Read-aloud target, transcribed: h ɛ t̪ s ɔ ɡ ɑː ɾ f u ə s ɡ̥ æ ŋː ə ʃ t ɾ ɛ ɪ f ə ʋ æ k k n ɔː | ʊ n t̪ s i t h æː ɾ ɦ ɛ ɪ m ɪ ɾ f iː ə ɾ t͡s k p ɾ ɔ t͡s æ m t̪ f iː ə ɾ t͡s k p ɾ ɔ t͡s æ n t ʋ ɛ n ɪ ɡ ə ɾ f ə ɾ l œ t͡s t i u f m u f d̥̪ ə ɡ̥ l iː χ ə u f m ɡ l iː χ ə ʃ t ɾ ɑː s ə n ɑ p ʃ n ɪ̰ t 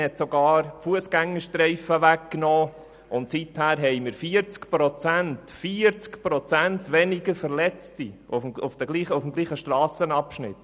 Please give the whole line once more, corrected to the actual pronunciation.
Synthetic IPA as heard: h ɛ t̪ s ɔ ɡ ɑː ɾ f u ə s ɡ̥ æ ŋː ə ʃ t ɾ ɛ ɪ f ə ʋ æ k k n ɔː | ʊ n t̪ s i t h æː ɾ ɦ ɛ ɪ m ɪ ɾ f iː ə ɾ t͡s k p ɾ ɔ t͡s æ n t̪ f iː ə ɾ t͡s k p ɾ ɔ t͡s æ n t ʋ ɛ n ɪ ɡ ə ɾ f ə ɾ l ɛ t͡s t i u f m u f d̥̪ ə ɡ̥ l iː χ ə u f m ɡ l iː χ ə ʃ t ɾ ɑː s ə n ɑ p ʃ n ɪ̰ t